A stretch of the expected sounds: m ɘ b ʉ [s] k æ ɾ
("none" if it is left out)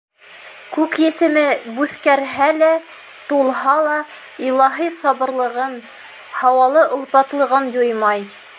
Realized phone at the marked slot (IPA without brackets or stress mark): θ